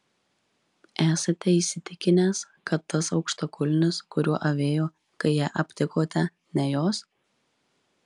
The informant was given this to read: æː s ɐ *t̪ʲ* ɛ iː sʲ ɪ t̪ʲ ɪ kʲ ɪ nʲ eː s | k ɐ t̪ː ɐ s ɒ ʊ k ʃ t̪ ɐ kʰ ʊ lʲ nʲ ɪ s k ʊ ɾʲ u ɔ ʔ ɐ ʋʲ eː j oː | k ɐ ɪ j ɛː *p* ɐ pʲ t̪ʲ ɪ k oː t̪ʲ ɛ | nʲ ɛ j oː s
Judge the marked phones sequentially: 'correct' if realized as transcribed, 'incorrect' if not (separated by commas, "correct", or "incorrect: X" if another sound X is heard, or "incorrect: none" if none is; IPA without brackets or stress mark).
correct, incorrect: ʔ